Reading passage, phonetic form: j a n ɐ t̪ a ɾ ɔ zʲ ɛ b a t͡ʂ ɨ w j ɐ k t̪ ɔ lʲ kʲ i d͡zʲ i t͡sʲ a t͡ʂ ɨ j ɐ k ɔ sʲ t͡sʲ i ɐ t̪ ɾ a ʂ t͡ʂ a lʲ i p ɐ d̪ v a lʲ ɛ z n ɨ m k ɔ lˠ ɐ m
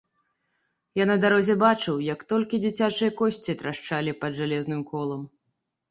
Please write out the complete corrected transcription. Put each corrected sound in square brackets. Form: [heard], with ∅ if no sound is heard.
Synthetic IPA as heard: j a n ɐ [d̪] a ɾ ɔ zʲ ɛ b a t͡ʂ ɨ w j ɐ k t̪ ɔ lʲ kʲ i d͡zʲ i t͡sʲ a t͡ʂ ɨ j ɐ k ɔ sʲ t͡sʲ i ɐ t̪ ɾ a ʂ t͡ʂ a lʲ i p ɐ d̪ [ʐ] a lʲ ɛ z n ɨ m k ɔ lˠ ɐ m